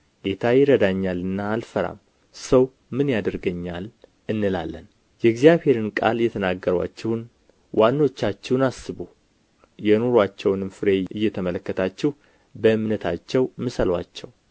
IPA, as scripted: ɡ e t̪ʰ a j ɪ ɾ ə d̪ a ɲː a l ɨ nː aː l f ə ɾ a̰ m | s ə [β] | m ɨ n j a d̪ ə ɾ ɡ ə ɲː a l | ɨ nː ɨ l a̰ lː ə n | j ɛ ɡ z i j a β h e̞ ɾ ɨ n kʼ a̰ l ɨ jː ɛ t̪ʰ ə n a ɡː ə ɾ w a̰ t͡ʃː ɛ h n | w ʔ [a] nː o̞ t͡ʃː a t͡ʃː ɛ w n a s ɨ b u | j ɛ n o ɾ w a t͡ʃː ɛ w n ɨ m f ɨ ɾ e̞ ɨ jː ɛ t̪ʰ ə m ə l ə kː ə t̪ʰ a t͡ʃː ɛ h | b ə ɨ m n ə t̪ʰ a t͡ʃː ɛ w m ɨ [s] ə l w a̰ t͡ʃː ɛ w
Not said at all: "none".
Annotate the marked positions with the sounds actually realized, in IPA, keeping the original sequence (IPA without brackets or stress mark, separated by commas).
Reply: w, a, s